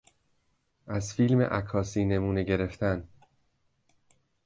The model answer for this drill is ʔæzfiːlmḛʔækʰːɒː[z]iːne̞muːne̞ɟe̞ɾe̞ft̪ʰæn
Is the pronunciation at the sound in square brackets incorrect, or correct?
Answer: incorrect